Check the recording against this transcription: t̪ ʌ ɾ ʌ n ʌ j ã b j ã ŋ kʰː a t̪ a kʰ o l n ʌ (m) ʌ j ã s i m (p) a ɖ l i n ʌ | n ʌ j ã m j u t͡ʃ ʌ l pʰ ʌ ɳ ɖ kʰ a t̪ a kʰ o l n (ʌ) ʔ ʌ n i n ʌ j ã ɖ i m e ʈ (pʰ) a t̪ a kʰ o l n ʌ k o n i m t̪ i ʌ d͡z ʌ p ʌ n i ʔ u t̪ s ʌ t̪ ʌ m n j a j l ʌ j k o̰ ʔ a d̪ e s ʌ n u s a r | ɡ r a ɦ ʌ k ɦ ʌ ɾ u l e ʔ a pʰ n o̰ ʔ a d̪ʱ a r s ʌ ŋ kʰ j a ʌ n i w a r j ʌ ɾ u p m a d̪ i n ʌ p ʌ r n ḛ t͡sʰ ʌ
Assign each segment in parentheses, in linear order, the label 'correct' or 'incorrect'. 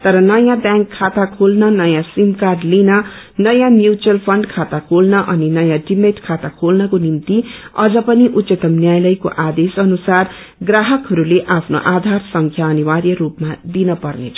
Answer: incorrect, incorrect, correct, incorrect

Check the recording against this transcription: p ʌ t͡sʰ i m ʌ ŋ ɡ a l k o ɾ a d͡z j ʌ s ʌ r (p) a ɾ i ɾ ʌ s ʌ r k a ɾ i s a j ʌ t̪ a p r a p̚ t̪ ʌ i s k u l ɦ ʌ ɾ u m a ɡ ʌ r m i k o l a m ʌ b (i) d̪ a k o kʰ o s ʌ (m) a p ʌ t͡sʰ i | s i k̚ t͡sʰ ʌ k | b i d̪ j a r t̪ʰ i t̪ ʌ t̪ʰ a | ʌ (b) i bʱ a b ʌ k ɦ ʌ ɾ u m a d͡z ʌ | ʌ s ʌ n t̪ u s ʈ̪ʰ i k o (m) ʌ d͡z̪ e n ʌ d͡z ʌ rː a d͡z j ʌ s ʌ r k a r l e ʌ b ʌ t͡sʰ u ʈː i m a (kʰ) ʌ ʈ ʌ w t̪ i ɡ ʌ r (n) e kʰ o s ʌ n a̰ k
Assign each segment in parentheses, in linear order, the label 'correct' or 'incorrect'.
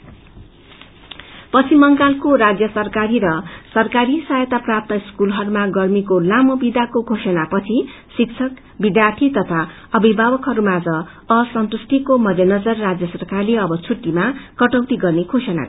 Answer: incorrect, correct, incorrect, correct, correct, incorrect, correct

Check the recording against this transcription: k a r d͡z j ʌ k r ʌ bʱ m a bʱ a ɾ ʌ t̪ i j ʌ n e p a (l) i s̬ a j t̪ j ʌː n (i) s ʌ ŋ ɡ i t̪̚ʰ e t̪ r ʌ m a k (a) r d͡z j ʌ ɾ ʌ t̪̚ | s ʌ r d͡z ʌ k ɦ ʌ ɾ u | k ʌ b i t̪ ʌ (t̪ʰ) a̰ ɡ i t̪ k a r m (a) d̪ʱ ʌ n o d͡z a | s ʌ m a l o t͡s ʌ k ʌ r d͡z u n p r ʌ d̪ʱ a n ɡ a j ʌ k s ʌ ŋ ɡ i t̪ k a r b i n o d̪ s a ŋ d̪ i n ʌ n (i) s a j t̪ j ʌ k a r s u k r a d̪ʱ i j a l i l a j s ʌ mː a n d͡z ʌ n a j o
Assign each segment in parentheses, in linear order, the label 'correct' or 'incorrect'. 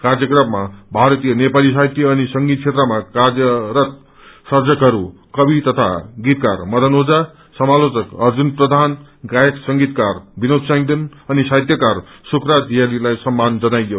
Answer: correct, correct, correct, correct, incorrect, correct

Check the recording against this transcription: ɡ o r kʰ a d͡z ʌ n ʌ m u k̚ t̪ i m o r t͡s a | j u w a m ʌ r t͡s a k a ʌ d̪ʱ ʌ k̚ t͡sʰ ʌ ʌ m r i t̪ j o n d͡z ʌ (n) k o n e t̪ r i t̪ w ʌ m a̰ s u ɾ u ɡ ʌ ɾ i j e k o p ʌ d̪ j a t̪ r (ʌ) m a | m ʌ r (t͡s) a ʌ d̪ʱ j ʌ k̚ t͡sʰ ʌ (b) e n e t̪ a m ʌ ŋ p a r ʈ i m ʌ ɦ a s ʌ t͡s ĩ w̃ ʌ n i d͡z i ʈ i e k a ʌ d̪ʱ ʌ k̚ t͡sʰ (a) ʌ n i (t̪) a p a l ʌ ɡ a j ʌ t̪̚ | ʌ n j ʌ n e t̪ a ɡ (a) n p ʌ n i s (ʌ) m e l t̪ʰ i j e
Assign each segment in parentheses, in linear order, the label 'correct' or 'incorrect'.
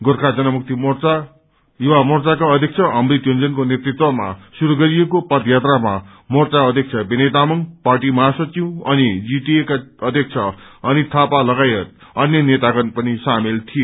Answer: correct, incorrect, correct, correct, incorrect, incorrect, incorrect, incorrect

